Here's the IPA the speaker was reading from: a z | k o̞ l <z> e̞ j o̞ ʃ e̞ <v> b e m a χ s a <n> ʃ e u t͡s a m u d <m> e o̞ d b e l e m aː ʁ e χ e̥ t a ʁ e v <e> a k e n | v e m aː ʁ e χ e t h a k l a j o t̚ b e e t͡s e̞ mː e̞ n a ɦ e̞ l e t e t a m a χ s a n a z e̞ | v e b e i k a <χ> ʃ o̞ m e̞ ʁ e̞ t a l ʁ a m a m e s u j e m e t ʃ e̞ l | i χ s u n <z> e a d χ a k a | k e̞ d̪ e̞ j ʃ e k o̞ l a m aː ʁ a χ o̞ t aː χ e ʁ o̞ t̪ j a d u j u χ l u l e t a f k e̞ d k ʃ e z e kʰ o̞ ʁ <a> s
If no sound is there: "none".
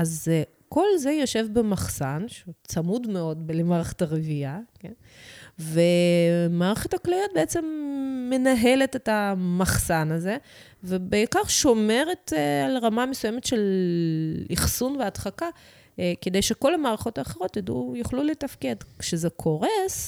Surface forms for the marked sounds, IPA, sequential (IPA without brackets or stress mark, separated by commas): z, v, n, m, i, ʁ, v, e